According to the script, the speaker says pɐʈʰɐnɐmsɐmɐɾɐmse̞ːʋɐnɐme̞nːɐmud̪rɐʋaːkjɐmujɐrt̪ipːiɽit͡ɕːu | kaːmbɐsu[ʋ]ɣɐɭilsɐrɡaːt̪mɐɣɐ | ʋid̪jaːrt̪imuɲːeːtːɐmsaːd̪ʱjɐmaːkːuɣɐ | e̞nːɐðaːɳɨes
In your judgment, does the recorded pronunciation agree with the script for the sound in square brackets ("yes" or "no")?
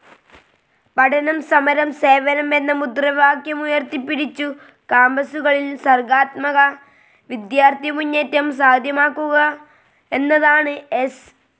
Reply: no